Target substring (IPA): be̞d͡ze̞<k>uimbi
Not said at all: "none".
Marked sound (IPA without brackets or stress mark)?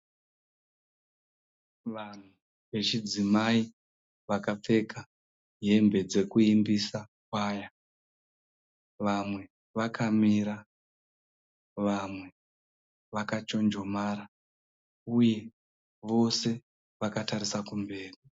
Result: k